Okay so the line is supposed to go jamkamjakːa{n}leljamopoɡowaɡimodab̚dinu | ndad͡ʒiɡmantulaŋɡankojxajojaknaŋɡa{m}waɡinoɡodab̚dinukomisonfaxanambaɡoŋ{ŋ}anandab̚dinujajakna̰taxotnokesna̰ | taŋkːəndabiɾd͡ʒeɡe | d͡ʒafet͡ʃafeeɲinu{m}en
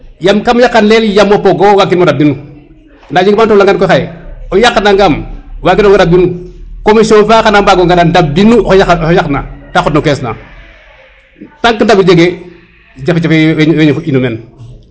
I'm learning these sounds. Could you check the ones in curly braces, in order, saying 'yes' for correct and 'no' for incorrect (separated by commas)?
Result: yes, yes, no, yes